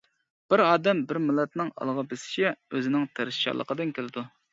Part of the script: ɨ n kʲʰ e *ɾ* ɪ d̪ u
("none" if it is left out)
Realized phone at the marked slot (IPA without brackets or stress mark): l